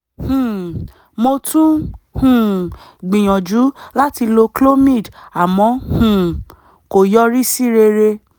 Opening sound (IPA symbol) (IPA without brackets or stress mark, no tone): h